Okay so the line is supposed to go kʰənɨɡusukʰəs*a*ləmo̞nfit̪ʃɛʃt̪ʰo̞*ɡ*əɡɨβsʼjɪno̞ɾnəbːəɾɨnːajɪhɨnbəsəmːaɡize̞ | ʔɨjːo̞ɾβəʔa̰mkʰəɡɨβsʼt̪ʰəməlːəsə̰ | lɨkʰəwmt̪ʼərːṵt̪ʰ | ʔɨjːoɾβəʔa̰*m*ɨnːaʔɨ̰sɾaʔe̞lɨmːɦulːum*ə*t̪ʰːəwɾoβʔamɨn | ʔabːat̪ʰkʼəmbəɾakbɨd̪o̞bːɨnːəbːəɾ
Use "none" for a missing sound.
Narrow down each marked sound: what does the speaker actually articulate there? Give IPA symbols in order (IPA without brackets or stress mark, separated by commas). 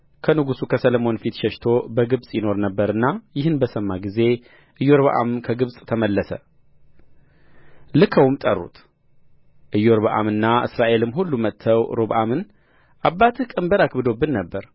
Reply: ə, b, m, ə